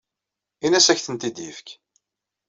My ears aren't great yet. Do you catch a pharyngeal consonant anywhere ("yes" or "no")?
no